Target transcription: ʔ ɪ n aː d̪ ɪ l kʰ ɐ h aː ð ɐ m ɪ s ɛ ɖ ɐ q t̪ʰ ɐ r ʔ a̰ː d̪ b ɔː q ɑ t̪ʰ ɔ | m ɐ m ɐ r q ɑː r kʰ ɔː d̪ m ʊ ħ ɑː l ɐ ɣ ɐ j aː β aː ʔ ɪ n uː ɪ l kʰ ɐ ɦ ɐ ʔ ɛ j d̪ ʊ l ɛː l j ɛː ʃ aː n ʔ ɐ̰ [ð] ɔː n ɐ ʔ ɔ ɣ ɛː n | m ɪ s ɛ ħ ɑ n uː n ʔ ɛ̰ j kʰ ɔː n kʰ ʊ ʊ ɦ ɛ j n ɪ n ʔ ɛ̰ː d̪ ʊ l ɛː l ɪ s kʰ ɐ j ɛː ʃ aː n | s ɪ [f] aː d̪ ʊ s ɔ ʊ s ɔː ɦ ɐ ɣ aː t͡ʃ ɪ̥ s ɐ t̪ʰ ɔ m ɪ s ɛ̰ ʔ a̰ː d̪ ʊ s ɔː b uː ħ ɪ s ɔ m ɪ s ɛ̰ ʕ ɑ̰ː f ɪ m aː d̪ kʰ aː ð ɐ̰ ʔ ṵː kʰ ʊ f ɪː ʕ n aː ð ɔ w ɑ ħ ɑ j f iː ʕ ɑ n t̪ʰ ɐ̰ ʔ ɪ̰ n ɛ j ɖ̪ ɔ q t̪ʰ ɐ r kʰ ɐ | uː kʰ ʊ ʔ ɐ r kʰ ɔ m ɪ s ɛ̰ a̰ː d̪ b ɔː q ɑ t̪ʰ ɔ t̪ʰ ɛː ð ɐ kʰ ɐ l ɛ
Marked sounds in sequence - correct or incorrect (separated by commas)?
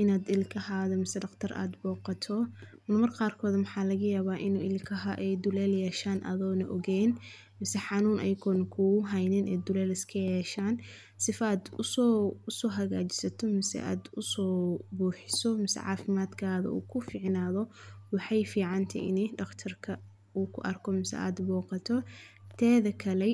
correct, correct